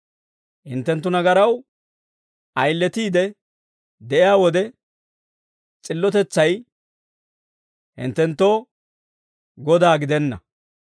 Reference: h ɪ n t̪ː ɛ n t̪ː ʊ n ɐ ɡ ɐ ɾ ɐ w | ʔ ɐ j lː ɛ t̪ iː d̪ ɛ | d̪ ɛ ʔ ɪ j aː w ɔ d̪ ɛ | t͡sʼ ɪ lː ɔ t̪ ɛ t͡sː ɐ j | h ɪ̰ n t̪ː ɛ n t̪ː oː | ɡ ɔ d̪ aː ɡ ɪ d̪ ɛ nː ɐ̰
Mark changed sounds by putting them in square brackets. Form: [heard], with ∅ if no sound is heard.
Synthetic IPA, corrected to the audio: h ɪ n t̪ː ɛ n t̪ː ʊ n ɐ ɡ ɐ ɾ ɐ w | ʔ ɐ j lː ɛ t̪ iː d̪ ɛ | d̪ ɛ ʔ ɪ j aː w ɔ d̪ ɛ | t͡sʼ ɪ lː ɔ t̪ ɛ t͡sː ɐ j | h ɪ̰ n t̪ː ɛ n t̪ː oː | ɡ ɔ d̪ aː ɡ ɪ d̪ ɛ nː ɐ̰